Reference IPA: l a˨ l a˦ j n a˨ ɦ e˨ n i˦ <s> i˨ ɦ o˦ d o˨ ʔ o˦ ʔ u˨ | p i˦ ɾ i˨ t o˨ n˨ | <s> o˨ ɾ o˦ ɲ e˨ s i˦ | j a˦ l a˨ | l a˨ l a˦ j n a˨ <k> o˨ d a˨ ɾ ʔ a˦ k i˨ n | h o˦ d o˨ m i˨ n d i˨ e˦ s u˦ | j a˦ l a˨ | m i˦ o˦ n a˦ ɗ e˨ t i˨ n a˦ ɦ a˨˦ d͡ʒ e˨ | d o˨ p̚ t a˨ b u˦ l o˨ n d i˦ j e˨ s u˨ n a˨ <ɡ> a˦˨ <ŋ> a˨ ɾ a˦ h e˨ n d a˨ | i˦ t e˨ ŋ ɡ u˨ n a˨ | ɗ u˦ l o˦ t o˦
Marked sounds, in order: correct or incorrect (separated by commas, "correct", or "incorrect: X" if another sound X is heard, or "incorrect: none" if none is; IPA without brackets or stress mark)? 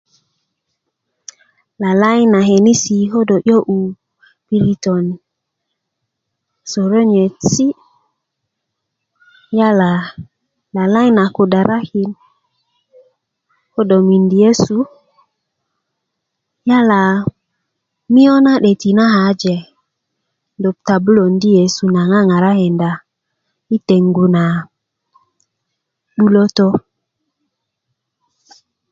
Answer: correct, correct, correct, incorrect: ŋ, correct